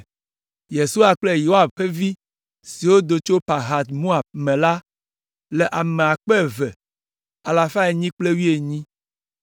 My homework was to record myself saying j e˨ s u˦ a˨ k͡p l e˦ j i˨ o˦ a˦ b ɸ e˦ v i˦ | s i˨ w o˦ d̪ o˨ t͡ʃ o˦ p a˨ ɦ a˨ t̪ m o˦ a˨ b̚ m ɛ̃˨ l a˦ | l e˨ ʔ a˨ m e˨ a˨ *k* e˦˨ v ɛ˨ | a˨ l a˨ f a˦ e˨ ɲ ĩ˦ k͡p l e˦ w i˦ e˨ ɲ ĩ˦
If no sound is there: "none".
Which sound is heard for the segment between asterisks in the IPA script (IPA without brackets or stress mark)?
k͡p